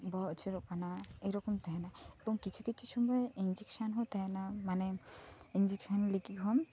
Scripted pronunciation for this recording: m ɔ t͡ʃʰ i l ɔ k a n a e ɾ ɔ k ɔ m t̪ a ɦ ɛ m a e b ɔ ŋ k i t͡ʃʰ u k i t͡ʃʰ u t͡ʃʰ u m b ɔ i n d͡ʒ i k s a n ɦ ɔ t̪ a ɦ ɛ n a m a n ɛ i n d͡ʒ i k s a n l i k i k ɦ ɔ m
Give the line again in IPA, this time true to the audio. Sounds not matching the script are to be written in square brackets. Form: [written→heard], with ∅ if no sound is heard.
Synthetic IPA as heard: [m→b] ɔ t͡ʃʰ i [l→ɾ] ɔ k a n a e ɾ ɔ k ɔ m t̪ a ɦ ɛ [m→n] a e b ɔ ŋ k i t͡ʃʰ u k i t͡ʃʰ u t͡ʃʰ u m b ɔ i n d͡ʒ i k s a n ɦ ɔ t̪ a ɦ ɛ n a m a n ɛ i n d͡ʒ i k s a n l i k i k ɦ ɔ m

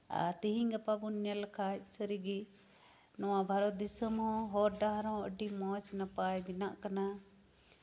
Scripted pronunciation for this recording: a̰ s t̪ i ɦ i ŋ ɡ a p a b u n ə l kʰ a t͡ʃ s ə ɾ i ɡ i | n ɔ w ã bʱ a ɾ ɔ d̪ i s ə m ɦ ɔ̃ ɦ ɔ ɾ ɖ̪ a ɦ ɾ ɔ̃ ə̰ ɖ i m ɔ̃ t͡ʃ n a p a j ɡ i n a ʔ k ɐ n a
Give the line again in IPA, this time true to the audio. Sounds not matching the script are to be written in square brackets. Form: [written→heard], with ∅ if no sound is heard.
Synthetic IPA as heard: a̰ [s→∅] t̪ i ɦ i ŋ ɡ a p a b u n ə l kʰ a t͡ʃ s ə ɾ i ɡ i | n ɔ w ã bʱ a ɾ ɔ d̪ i s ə m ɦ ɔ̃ ɦ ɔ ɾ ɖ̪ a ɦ ɾ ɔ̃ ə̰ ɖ i m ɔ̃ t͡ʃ n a p a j [ɡ→b] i n a ʔ k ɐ n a

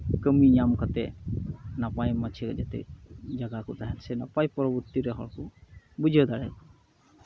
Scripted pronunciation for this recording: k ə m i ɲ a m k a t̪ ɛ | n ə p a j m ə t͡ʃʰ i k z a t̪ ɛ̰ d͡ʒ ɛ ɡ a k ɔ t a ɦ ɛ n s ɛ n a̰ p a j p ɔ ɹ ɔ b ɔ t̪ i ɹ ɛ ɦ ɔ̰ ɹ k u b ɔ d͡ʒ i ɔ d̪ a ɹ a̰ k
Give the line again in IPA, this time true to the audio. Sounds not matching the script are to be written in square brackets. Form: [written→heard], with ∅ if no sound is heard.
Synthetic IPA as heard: k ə m i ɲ a m k a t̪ ɛ | n [ə→a] p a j m [ə→a] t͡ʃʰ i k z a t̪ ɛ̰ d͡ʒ [ɛ→a] ɡ a k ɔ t a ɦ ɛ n s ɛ n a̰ p a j p ɔ ɹ ɔ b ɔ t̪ i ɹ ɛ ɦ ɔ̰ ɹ k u b [ɔ→u] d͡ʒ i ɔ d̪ a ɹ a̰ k

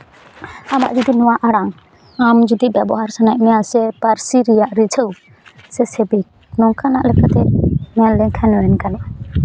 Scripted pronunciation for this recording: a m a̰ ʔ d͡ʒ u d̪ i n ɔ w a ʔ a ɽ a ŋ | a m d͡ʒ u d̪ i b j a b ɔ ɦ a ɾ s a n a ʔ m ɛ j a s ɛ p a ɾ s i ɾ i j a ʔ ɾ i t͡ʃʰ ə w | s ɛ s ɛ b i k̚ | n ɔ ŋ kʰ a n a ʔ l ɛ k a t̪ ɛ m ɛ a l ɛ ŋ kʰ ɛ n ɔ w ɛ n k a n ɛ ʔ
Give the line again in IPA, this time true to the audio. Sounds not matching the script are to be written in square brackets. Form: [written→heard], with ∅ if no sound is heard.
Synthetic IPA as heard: a m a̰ ʔ d͡ʒ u d̪ i n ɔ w a ʔ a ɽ a ŋ | a m d͡ʒ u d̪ i b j a b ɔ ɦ a ɾ s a n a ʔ m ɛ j a s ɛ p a ɾ s i ɾ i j a ʔ ɾ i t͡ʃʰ ə w | s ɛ s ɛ b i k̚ | n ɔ ŋ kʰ a n a ʔ l ɛ k a t̪ ɛ m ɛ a l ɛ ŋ kʰ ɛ n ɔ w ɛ n k a n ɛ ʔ

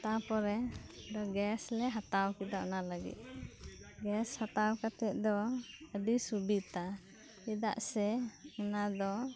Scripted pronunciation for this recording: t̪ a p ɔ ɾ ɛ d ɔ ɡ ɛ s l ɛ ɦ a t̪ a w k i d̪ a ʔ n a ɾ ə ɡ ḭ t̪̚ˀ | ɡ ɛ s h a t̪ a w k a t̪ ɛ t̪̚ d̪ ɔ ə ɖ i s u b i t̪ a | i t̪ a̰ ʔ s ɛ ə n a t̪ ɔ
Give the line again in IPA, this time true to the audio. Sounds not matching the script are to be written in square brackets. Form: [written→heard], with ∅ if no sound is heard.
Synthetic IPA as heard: t̪ a p ɔ ɾ ɛ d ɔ ɡ ɛ s l ɛ ɦ a t̪ a w k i d̪ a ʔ n a [ɾ→l] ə ɡ ḭ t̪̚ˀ | ɡ ɛ s h a t̪ a w k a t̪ ɛ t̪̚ d̪ ɔ ə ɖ i s u b i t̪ a | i [t̪→d̪] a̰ ʔ s ɛ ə n a [t̪→d̪] ɔ

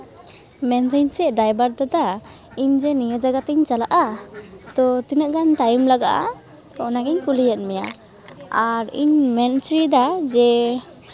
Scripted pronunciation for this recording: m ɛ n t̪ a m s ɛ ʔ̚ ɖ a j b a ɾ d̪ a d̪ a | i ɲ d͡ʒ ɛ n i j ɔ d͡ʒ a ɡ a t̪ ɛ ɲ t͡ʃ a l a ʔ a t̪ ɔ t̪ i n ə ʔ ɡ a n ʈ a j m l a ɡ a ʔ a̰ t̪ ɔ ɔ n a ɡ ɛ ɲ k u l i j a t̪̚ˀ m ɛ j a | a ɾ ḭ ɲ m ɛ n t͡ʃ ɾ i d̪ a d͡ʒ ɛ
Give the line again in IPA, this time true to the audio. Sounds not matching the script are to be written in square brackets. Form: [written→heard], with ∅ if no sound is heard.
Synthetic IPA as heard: m ɛ n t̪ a [m→ɲ] s ɛ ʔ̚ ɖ a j b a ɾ d̪ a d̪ a | i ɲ d͡ʒ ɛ n i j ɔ d͡ʒ a ɡ a t̪ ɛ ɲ t͡ʃ a l a ʔ a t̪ ɔ t̪ i n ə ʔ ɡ a n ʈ a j m l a ɡ a ʔ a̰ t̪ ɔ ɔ n a ɡ ɛ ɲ k u l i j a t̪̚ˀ m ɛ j a | a ɾ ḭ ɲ m ɛ n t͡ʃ ɾ i d̪ a d͡ʒ ɛ

